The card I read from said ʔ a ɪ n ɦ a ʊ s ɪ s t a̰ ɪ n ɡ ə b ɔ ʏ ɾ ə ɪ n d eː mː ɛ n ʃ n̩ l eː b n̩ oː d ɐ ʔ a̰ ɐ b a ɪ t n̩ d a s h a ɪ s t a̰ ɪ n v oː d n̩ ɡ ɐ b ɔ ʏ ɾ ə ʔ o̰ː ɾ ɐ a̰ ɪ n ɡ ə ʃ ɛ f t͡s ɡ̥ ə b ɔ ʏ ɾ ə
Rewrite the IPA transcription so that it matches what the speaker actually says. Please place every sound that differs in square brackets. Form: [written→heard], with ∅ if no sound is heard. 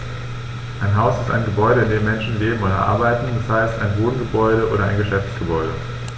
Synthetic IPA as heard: ʔ a ɪ n ɦ a ʊ s ɪ s t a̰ ɪ n ɡ ə b ɔ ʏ ɾ ə ɪ n d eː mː ɛ n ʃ n̩ l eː b [n̩→m̩] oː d ɐ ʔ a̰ ɐ b a ɪ t n̩ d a s h a ɪ s t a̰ ɪ n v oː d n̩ ɡ [ɐ→ə] b ɔ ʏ ɾ ə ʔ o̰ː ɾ ɐ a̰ ɪ n ɡ ə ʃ ɛ f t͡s ɡ̥ ə b ɔ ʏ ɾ ə